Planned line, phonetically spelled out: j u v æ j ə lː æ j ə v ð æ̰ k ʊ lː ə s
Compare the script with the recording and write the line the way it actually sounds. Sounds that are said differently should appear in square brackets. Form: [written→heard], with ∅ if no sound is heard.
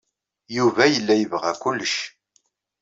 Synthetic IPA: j u v æ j ə lː æ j ə v [ð→ʁ] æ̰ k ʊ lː ə [s→ʃ]